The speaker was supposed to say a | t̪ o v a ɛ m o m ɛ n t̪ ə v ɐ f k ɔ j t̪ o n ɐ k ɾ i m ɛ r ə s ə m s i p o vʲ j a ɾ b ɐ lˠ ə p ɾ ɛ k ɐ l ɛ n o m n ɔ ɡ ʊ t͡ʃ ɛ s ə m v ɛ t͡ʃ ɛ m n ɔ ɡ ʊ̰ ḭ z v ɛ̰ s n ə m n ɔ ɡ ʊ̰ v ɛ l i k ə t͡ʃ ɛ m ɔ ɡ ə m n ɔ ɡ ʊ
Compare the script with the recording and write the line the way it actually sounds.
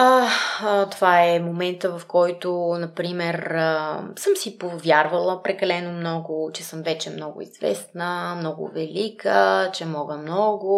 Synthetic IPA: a | t̪ o v a ɛ m o m ɛ n t̪ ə v ɐ f k ɔ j t̪ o n ɐ p ɾ i m ɛ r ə s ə m s i p o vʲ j a ɾ v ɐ lˠ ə p ɾ ɛ k ɐ l ɛ n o m n ɔ ɡ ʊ t͡ʃ ɛ s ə m v ɛ t͡ʃ ɛ m n ɔ ɡ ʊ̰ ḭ z v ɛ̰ s n ə m n ɔ ɡ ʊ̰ v ɛ l i k ə t͡ʃ ɛ m ɔ ɡ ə m n ɔ ɡ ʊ